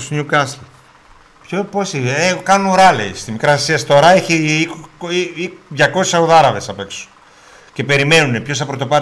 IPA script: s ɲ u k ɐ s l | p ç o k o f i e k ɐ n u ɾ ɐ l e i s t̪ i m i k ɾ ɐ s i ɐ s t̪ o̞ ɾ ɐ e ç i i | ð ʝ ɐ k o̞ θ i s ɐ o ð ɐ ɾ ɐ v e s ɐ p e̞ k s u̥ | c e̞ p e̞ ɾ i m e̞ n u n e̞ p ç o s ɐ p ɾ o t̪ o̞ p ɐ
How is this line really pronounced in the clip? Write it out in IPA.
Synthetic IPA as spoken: s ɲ u k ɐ s l | p ç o p o s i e k ɐ n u ɾ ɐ l e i s t̪ i m i k ɾ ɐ s i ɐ s t̪ o̞ ɾ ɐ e ç i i | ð ʝ ɐ k o̞ s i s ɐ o ð ɐ ɾ ɐ v e s ɐ p e̞ k s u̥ | c e̞ p e̞ ɾ i m e̞ n u n e̞ p ç o s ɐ p ɾ o t̪ o̞ p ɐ